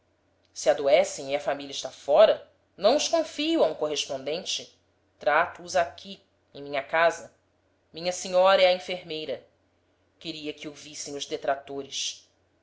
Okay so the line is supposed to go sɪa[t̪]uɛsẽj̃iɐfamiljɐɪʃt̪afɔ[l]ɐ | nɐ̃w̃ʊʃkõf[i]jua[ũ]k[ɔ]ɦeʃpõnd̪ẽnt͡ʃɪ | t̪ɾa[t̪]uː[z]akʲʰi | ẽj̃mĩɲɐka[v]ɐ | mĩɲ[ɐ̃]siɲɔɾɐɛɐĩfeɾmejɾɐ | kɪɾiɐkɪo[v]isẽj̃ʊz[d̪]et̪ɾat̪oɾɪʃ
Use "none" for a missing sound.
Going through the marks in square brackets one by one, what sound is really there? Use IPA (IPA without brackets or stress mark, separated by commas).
d̪, ɾ, i, ũ, o, t̪, z, z, ɐ, v, d̪